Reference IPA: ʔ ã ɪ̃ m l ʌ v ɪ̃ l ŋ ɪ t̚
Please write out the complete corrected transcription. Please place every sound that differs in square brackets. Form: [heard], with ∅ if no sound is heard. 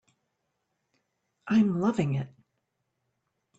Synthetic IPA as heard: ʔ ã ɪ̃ m l ʌ v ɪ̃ [∅] ŋ ɪ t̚